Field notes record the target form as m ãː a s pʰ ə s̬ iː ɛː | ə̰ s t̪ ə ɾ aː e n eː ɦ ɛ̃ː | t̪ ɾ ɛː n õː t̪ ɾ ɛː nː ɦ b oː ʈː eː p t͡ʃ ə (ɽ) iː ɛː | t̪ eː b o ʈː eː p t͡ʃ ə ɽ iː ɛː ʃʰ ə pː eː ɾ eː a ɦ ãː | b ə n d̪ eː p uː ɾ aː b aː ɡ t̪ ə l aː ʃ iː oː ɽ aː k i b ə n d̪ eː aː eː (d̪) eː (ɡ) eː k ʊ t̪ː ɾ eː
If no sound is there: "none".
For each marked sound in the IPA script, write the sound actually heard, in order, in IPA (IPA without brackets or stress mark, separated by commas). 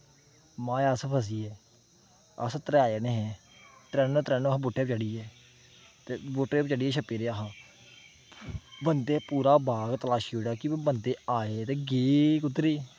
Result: ɽ, t̪, ɡ